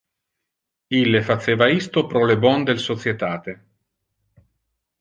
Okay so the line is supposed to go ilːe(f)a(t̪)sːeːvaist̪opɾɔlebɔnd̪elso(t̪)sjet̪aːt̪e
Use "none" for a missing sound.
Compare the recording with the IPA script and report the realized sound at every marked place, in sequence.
f, t̪, t̪

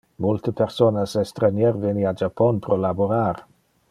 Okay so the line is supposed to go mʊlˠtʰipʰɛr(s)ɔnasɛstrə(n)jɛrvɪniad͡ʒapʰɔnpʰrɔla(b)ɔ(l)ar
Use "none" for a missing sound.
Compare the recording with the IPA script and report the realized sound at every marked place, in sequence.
s, n, b, ɾ

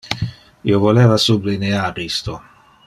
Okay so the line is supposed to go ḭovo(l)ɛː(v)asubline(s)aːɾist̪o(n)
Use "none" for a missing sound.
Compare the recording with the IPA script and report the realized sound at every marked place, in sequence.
l, v, none, none

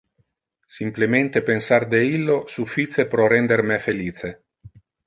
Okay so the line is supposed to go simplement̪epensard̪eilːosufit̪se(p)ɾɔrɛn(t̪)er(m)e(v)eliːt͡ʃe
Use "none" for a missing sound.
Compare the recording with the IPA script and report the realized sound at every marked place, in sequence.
p, d̪, m, f

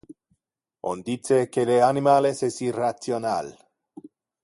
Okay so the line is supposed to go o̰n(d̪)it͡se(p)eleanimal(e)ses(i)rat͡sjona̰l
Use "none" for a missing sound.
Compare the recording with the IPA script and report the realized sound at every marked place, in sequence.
d̪, k, e, i

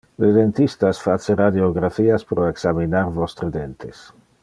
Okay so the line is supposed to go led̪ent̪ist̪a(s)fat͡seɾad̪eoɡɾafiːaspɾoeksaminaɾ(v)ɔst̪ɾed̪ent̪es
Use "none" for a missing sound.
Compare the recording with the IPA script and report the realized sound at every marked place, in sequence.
s, v

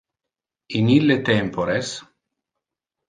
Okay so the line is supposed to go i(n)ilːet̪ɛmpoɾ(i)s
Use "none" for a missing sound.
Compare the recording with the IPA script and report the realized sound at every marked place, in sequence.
n, e

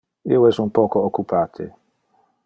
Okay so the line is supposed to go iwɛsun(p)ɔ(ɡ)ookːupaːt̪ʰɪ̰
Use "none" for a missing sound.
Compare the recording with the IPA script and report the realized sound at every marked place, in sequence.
p, k

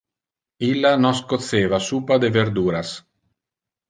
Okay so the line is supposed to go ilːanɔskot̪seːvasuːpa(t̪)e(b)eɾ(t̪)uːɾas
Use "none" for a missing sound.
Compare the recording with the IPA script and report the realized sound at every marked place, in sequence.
d̪, v, d̪

